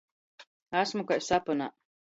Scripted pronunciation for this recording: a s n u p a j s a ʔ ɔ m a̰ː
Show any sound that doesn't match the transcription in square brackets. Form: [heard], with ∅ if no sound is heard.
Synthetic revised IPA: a s [m] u [k] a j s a [p] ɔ [n] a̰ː